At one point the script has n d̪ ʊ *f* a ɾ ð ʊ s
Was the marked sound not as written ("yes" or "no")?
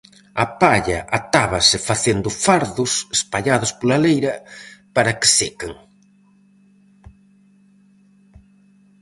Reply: no